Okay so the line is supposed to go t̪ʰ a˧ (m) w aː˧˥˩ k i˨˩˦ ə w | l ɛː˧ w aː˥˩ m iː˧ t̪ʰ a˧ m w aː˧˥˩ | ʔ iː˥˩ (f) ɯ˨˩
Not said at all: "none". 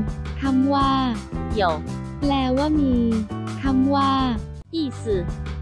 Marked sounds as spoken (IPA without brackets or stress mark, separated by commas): m, s